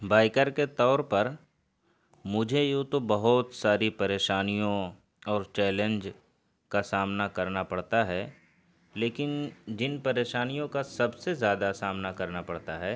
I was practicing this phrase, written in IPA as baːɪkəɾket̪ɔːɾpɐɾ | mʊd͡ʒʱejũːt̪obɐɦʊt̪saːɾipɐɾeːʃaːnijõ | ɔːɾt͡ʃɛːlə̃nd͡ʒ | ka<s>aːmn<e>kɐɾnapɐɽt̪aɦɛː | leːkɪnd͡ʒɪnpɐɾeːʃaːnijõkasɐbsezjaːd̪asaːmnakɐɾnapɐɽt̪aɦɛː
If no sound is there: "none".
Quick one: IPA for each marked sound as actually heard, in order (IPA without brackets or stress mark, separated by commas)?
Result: s, a